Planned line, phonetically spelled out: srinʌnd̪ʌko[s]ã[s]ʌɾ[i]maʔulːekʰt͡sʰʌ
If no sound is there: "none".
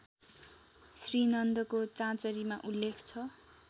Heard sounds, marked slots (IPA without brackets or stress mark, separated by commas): t͡s, t͡s, i